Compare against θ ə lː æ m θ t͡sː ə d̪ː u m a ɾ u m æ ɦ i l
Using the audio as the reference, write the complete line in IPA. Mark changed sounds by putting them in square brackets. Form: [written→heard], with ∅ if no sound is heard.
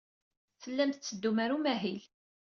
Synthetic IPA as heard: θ ə lː æ m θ t͡sː ə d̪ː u m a ɾ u m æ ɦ i l